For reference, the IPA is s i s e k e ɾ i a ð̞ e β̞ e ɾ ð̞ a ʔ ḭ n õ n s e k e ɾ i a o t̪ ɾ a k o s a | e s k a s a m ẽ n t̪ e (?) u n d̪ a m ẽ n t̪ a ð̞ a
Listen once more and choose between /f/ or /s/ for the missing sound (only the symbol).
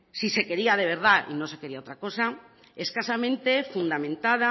f